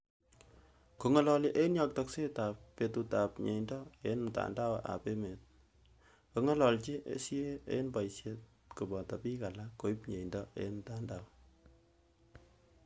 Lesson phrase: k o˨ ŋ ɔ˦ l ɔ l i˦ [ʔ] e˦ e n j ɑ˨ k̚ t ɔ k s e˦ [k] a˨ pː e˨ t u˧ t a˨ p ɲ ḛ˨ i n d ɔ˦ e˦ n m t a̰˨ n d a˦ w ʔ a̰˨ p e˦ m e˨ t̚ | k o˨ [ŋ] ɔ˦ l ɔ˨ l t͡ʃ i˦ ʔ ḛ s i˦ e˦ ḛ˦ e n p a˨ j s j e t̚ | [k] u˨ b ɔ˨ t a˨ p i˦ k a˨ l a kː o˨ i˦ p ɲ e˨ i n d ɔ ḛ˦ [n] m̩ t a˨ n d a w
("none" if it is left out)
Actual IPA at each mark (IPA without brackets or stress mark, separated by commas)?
ʔ, t, ŋ, k, n